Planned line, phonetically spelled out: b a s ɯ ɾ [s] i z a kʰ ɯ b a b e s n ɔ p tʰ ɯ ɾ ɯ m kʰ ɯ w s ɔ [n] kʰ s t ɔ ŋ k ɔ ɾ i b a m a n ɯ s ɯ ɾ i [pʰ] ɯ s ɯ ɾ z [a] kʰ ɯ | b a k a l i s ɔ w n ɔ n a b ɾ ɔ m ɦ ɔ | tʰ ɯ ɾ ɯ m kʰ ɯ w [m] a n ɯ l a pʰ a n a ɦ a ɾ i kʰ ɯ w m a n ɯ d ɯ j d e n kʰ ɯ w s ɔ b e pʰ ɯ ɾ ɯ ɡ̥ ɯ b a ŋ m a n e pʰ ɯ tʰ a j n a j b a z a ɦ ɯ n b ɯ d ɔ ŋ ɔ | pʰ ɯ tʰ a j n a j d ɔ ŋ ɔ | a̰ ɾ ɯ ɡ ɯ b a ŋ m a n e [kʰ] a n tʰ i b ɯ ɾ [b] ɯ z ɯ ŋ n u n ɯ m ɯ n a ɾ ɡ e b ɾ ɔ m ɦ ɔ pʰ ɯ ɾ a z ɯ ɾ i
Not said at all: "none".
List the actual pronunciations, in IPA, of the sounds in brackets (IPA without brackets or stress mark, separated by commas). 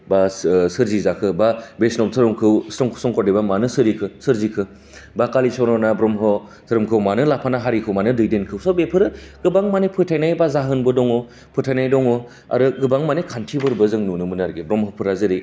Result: z, ŋ, kʰ, i, m, kʰ, b